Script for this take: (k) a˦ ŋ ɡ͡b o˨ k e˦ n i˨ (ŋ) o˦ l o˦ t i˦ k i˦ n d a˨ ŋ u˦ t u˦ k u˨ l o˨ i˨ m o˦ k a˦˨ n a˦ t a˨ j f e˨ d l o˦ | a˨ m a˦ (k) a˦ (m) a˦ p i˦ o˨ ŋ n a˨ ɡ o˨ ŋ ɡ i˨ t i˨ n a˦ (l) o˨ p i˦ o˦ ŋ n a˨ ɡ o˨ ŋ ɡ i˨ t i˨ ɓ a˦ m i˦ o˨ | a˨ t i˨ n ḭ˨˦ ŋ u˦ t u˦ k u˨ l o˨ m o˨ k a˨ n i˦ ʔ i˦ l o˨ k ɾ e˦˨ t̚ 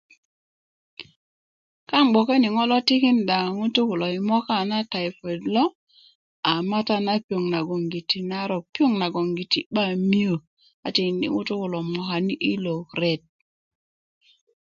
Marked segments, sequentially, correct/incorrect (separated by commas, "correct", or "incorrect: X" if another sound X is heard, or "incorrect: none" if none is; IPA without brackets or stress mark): correct, correct, incorrect: t, incorrect: n, incorrect: ɾ